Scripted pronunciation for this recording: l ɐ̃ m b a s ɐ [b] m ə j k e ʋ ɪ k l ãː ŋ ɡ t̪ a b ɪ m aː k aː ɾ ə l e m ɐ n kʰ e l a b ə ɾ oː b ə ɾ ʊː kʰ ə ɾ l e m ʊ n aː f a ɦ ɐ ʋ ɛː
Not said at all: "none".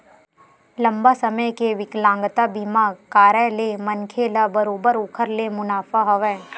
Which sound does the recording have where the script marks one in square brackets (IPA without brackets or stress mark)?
none